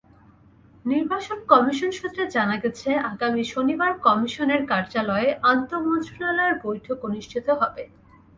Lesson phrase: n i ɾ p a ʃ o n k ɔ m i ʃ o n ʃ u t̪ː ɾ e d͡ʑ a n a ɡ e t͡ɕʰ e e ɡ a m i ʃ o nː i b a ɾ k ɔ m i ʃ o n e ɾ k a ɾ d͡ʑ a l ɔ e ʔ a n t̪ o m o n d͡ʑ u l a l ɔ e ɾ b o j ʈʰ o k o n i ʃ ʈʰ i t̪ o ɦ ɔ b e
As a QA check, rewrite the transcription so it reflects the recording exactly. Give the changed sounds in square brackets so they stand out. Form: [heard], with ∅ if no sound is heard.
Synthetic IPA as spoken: n i ɾ [b] a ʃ o n k ɔ m i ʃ o n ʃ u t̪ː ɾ e d͡ʑ a n a ɡ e t͡ɕʰ e [a] ɡ a m i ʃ o [n] i b a ɾ k ɔ m i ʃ o n e ɾ k a ɾ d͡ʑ a l ɔ e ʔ a n t̪ o m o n d͡ʑ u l a l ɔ e ɾ b o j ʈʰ o k o n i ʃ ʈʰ i t̪ o ɦ ɔ b e